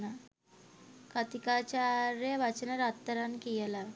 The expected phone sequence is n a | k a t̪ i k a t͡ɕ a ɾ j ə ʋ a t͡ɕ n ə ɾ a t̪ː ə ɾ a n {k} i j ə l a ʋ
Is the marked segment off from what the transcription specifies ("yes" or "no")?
no